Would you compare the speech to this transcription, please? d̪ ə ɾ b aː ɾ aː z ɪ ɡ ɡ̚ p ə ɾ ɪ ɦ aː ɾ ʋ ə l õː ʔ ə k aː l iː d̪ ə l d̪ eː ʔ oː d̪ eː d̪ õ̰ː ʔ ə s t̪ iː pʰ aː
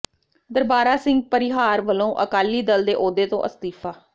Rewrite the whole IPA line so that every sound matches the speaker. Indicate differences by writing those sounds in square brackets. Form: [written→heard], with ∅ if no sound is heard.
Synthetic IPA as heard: d̪ ə ɾ b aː ɾ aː [z→s] ɪ [ɡ→ŋ] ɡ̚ p ə ɾ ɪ ɦ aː ɾ ʋ ə l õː ʔ ə k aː l iː d̪ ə l d̪ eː ʔ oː d̪ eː [d̪→t̪] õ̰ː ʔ ə s t̪ iː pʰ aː